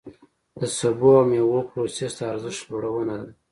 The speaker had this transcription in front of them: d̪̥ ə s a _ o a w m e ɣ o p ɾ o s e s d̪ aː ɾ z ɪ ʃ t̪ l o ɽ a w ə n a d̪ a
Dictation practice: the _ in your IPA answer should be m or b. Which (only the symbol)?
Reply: b